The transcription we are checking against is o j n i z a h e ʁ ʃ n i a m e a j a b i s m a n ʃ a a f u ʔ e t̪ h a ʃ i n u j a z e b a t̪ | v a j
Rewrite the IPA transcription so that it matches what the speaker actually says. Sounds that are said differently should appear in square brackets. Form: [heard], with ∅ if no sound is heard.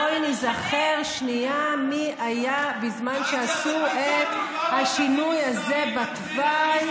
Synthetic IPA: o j n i z a [χ] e ʁ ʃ n i a m [i] a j a b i [z] m a n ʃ [e] a [s] u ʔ e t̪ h a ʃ i n u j a z e b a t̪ | v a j

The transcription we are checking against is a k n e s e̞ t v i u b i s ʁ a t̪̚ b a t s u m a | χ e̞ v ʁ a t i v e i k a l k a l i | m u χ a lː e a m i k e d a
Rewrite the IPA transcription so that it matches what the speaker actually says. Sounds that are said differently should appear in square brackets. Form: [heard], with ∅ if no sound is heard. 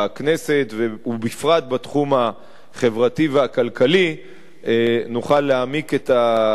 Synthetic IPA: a k n e s e̞ t v [e] u b i [f] ʁ a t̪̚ b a t [χ] u m a | χ e̞ v ʁ a t i v e [a] k a l k a l i | [n] u χ a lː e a m i k e [t] a

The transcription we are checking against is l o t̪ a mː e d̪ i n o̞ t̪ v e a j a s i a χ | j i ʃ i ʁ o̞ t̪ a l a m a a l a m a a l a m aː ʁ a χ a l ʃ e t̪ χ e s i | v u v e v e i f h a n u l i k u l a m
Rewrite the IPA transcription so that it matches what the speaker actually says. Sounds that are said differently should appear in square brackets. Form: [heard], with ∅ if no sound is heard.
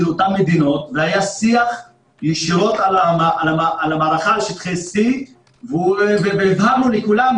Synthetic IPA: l o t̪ a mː e d̪ i n o̞ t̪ v e a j a s i a χ | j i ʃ i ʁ o̞ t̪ a l a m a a l a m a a l a m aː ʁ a χ a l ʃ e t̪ χ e s i | v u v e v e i [v] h a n u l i k u l a m

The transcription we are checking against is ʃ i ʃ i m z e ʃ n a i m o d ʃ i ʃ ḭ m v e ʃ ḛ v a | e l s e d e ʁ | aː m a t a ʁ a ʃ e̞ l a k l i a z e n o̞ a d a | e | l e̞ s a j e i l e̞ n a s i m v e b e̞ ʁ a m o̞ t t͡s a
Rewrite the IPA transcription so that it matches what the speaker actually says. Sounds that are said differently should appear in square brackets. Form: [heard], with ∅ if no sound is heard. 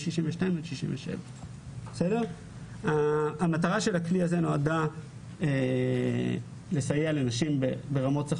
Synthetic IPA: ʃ i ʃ i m [v] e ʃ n a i m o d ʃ i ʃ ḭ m v e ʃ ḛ v a | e [∅] s e d e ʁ | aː m a t a ʁ a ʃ e̞ l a k l i a z e n o̞ a d a | e | l e̞ s a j e [a] l e̞ n a [ʃ] i m [b] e b e̞ ʁ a m o̞ t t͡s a

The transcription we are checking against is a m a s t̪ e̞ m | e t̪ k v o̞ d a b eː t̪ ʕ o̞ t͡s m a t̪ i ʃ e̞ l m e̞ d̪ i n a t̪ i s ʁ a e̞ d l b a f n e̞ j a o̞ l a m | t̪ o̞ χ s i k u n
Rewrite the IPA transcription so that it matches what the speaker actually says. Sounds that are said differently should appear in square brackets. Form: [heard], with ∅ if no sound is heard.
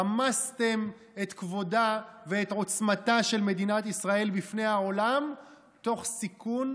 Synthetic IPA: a m a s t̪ e̞ m | e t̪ k v o̞ d a [v] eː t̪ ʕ o̞ t͡s m a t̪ [a] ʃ e̞ l m e̞ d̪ i n a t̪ i s ʁ a e̞ [∅] l b [i] f n e̞ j a o̞ l a m | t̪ o̞ χ s i k u n

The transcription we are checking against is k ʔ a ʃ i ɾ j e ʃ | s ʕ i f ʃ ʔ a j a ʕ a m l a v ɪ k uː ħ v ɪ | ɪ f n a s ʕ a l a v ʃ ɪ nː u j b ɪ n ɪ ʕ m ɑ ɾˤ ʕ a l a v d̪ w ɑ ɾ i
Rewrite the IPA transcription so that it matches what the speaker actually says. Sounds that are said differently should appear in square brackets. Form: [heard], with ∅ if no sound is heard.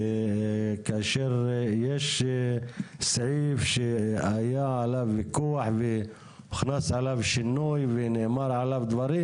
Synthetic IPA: k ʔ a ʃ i ɾ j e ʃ | s ʕ i f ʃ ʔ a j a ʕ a [∅] l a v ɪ k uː ħ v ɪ | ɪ [x] n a s ʕ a l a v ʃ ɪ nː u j [v] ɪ n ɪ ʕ m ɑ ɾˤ ʕ a l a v d̪ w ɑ ɾ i

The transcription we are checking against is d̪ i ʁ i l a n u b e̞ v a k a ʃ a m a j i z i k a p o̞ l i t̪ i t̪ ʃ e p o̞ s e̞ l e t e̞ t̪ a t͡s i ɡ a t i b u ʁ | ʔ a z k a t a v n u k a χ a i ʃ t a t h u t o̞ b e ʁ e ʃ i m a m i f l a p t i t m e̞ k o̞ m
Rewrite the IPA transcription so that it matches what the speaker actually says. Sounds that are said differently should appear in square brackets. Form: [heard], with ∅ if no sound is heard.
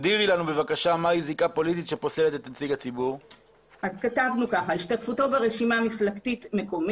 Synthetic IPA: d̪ i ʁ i l a n u b e̞ v a k a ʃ a m a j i z i k a p o̞ l i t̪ i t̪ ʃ e p o̞ s e̞ l e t e̞ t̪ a t͡s i ɡ a [t͡s] i b u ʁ | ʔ a z k a t a v n u k a χ a i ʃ t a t [f] u t o̞ b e ʁ e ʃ i m a m i f l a [k] t i t m e̞ k o̞ m

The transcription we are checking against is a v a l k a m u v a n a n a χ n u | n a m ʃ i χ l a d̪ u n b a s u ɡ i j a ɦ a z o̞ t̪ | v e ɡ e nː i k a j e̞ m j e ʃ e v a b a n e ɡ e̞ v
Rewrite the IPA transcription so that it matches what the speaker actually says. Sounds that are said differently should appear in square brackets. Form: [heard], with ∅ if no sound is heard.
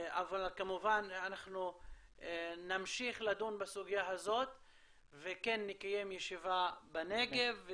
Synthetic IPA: a v a l k a m u v a n a n a χ n u | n a m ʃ i χ l a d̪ u n b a s u ɡ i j a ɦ a z o̞ t̪ | v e [k] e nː i k a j e̞ m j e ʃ [i] v a b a n e ɡ e̞ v

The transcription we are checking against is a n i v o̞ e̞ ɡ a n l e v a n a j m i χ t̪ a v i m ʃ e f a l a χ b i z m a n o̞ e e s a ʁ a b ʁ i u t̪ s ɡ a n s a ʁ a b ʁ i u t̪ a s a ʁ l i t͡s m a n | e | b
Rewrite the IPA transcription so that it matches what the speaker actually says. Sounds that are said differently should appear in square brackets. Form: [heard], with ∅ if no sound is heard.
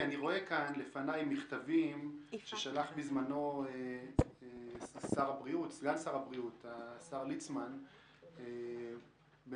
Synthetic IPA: a n i [ʁ] o̞ e̞ [k] a n l e [f] a n a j m i χ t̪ a v i m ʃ e [ʃ] a l a χ b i z m a n o̞ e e s a ʁ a b ʁ i u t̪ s ɡ a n s a ʁ a b ʁ i u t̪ a s a ʁ l i t͡s m a n | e | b

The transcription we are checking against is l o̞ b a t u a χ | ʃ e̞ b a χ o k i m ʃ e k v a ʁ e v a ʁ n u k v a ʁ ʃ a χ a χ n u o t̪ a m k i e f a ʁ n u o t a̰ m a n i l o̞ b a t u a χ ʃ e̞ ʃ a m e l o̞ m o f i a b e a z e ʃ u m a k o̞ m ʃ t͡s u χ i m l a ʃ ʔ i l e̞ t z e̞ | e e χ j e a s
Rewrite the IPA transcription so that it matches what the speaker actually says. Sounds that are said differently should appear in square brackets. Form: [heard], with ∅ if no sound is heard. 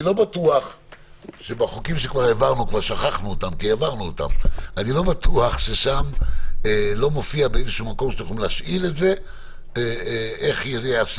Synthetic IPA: l o̞ b a t u a χ | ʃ e̞ b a χ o k i m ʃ e k v a ʁ e v a ʁ n u k v a ʁ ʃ a χ a χ n u o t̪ a m k i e [v] a ʁ n u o t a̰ m a n i l o̞ b a t u a χ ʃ e̞ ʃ a m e l o̞ m o f i a b e [e] z e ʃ u m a k o̞ m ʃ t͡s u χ i m l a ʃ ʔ i l e̞ t z e̞ | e e χ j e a s

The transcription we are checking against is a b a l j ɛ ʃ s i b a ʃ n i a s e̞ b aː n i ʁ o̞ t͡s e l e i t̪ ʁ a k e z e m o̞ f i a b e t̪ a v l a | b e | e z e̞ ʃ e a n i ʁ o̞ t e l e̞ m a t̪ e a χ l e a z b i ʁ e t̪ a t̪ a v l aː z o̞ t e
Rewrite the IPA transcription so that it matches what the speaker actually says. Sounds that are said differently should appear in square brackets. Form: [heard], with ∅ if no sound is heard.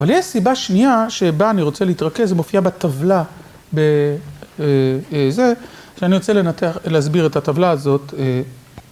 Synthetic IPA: a [v] a l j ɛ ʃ s i b a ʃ n i a [ʃ] e̞ b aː n i ʁ o̞ t͡s e l e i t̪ ʁ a k e z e m o̞ f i a b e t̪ a v l a | b e | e z e̞ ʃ e a n i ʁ o̞ [t͡s] e l e̞ [n] a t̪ e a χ l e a z b i ʁ e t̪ a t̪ a v l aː z o̞ t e

